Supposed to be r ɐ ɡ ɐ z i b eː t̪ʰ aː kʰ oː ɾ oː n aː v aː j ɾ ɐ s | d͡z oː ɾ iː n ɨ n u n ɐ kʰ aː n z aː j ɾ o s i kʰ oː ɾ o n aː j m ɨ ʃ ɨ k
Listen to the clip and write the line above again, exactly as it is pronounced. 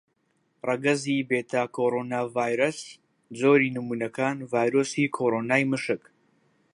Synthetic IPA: r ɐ ɡ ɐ z i b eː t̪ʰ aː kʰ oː ɾ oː n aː v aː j ɾ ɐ s | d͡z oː ɾ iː n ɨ m u n ɐ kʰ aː n v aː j ɾ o s i kʰ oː ɾ o n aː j m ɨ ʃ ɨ k